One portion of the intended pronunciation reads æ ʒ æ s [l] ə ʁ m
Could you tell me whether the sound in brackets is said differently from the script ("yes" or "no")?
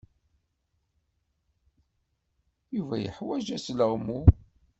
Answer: no